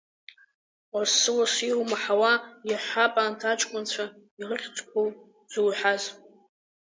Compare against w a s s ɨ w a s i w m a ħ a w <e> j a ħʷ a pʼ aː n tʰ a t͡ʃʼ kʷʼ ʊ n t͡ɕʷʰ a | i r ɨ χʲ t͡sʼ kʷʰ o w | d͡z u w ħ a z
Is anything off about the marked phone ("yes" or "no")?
yes